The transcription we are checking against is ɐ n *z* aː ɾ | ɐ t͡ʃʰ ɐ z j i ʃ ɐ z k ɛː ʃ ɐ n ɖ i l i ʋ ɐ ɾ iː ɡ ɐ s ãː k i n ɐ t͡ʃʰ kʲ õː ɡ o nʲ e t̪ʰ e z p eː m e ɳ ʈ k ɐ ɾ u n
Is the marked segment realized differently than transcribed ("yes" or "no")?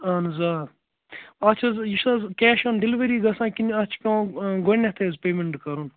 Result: no